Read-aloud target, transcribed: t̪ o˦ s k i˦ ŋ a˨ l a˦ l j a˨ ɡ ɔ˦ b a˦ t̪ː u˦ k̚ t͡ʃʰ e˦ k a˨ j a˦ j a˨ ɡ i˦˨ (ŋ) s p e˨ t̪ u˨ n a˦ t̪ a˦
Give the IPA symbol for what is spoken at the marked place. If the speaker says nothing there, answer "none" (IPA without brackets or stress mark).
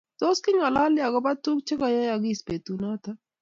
none